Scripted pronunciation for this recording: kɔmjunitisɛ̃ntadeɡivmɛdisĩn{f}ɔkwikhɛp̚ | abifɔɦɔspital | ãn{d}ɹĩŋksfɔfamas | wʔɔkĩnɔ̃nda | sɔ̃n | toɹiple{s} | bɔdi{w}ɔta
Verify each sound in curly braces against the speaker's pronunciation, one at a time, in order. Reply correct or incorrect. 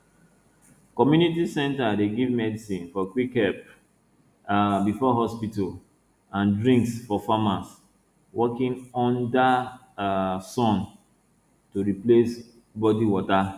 correct, correct, correct, correct

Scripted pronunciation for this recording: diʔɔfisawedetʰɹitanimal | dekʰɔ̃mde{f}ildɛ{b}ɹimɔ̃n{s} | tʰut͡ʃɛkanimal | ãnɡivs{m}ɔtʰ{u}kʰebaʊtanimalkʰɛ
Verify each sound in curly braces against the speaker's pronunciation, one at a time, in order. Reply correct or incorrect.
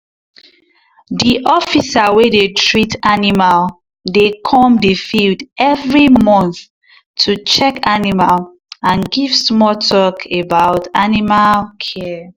correct, incorrect, incorrect, correct, incorrect

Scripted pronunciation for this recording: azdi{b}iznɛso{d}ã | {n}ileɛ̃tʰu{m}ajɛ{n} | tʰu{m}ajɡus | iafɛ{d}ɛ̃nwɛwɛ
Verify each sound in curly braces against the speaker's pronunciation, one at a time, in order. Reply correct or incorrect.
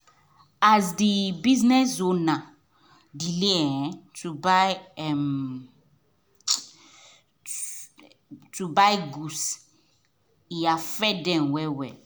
correct, incorrect, incorrect, incorrect, incorrect, incorrect, correct

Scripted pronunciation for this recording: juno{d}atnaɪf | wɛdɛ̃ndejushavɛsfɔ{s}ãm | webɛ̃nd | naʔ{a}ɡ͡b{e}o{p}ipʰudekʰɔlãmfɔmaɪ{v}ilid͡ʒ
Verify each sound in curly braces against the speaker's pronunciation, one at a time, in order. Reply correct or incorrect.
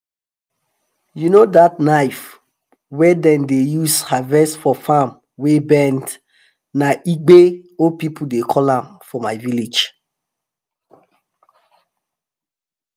correct, incorrect, incorrect, correct, correct, correct

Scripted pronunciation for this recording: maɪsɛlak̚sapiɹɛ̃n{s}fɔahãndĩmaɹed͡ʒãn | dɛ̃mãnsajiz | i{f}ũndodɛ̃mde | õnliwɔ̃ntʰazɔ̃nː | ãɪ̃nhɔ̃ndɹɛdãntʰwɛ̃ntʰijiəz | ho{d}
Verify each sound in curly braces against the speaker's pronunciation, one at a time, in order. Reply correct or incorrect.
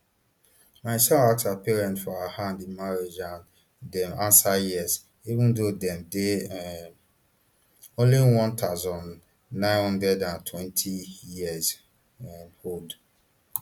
incorrect, incorrect, correct

